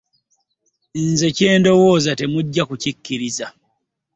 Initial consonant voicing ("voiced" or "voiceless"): voiced